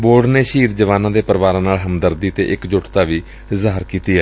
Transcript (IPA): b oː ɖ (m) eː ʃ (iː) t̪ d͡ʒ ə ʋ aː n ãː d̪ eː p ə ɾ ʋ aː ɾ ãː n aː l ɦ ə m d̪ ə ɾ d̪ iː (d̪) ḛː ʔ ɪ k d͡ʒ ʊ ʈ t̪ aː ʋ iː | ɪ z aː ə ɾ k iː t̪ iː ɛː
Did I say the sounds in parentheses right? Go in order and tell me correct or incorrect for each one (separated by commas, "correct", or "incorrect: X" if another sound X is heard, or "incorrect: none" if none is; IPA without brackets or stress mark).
incorrect: n, correct, incorrect: t̪